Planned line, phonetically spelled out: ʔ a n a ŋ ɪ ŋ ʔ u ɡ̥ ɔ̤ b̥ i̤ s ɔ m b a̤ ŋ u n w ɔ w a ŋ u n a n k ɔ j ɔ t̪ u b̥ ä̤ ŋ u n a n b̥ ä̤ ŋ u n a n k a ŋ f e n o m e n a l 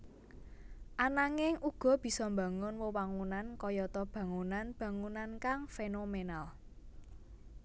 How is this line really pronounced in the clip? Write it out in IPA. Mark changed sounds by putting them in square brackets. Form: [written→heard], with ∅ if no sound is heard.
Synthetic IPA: ʔ a n a ŋ ɪ ŋ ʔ u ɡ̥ ɔ̤ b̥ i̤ s ɔ m b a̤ ŋ [u→ʊ] n w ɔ w a ŋ u n a n k ɔ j ɔ t̪ [u→ɔ] b̥ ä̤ ŋ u n a n b̥ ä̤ ŋ u n a n k a ŋ f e n o m e n a l